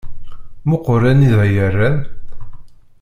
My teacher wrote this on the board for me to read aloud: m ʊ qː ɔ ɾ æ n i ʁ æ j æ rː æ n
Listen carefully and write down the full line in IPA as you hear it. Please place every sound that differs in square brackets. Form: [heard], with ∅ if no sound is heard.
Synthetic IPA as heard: m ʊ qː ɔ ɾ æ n i [ð] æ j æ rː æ n